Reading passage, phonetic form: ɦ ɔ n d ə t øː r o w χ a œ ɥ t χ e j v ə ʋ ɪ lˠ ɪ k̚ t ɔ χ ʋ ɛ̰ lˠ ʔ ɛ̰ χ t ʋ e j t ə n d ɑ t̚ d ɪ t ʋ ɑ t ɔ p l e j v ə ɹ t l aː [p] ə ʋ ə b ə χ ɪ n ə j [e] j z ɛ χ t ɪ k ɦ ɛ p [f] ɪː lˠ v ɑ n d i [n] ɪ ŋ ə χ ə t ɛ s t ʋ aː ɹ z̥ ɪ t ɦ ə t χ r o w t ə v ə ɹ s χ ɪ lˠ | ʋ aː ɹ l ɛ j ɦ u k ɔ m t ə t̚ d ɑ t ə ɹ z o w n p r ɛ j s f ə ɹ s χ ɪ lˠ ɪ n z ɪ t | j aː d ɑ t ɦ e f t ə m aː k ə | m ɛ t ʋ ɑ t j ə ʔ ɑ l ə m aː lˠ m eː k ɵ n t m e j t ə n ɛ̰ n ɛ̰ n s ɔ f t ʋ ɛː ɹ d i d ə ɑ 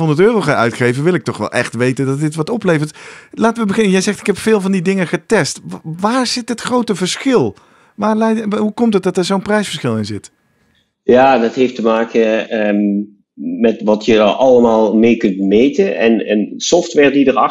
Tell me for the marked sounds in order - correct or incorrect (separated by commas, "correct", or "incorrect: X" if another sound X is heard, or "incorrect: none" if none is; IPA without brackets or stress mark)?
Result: incorrect: t, incorrect: ɛ, correct, incorrect: d